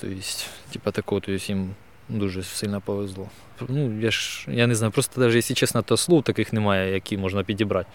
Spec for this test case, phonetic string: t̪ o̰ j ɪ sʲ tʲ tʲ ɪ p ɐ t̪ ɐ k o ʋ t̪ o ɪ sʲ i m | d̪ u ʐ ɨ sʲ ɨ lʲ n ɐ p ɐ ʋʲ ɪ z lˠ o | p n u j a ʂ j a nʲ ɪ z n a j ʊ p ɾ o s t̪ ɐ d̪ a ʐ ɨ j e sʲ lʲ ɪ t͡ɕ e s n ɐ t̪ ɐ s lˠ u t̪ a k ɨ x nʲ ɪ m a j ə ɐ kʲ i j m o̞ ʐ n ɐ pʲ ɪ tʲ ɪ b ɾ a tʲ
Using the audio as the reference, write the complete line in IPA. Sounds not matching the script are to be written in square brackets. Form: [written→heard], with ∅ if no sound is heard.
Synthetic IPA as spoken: t̪ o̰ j ɪ sʲ tʲ tʲ [ɪ→i] p ɐ t̪ ɐ k o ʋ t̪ o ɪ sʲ i m | d̪ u ʐ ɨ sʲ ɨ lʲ n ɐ p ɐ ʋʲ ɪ z lˠ o | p n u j a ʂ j a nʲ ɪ z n a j ʊ p ɾ o s t̪ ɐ d̪ a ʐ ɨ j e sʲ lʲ ɪ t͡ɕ e s n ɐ t̪ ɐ s lˠ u t̪ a k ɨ x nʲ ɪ m a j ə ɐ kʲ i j m o̞ ʐ n ɐ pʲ ɪ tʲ ɪ b ɾ a tʲ